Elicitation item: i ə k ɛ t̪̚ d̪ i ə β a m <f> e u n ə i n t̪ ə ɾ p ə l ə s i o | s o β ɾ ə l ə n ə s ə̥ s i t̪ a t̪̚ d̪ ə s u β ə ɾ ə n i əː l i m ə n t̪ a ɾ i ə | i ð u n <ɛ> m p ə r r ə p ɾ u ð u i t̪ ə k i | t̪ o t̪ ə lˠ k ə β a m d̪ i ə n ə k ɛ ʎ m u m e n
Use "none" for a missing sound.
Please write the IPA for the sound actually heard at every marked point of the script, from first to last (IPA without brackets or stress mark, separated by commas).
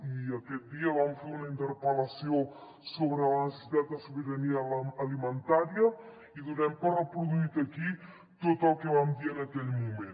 f, ɛ